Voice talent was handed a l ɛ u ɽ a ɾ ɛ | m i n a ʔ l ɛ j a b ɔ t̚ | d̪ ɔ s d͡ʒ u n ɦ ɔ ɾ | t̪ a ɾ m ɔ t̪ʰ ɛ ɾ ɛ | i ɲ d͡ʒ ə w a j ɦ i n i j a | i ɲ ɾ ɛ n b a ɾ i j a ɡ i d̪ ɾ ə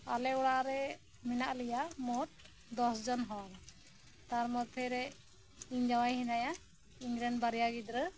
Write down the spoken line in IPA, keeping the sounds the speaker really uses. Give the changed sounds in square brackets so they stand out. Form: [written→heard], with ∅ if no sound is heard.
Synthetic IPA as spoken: a l ɛ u ɽ a ɾ ɛ | m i n a ʔ l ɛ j a [b→m] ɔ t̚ | d̪ ɔ s d͡ʒ [u→ɔ] n ɦ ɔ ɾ | t̪ a ɾ m ɔ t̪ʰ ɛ ɾ ɛ | i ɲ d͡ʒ [ə→a] w a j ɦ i n [i→a] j a | i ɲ ɾ ɛ n b a ɾ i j a ɡ i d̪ ɾ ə